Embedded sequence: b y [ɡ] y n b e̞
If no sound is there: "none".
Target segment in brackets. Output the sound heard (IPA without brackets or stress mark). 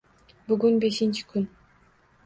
ɡ